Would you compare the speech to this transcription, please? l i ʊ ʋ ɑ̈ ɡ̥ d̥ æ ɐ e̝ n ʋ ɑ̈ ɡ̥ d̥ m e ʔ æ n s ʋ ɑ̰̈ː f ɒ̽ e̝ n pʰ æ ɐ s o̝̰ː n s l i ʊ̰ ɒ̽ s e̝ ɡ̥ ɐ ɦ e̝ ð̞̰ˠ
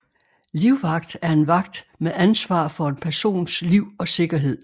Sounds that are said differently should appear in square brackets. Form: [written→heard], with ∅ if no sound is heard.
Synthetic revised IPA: l i ʊ ʋ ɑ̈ ɡ̥ d̥ æ ɐ e̝ n ʋ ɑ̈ ɡ̥ d̥ m e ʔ æ n s ʋ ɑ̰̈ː f ɒ̽ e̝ n pʰ æ ɐ s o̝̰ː n s l i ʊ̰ ɒ̽ s e̝ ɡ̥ ɐ ɦ e̝ ð̞̰ˠ